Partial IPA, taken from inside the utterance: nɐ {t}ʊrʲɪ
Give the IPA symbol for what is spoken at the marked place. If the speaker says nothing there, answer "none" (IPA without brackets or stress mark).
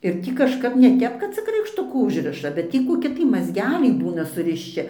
s